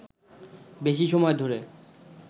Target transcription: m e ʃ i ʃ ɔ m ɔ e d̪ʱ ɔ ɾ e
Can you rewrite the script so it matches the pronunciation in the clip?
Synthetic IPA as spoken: b e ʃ i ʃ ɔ m ɔ e d̪ʱ o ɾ e